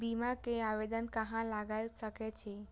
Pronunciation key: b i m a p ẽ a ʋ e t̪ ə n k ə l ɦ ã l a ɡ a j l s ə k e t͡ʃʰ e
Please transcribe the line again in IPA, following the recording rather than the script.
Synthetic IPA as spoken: b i m a k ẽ a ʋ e d̪ ə n k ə ɦ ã l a ɡ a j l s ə k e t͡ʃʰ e